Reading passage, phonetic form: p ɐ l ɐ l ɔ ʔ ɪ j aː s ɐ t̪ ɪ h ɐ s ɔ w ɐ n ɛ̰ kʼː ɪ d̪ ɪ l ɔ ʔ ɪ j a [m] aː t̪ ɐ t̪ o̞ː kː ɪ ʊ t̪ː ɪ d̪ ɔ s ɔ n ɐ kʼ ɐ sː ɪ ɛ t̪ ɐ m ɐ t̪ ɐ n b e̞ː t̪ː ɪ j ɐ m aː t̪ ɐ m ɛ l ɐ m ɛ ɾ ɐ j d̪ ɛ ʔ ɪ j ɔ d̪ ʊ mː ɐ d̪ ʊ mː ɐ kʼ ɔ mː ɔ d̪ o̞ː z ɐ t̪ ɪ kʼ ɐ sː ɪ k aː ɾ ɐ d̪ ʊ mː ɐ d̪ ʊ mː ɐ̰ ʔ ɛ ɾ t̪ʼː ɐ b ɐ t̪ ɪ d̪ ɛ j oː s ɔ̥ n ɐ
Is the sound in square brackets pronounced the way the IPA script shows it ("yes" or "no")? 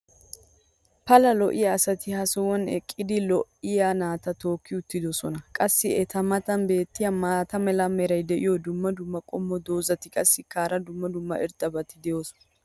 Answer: no